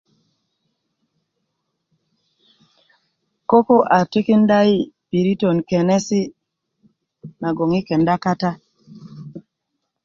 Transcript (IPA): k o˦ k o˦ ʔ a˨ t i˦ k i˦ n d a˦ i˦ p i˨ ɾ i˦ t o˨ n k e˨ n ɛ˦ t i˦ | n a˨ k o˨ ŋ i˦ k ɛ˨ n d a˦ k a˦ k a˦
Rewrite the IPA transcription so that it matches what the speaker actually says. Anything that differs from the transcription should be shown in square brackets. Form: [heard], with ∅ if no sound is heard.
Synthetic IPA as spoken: k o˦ k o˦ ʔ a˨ t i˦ k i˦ n d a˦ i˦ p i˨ ɾ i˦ t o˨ n k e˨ n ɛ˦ [s] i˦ | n a˨ [ɡ] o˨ ŋ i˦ k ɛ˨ n d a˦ k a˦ [t] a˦